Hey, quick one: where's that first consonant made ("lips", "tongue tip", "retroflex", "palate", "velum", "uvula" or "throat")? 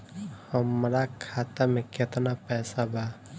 throat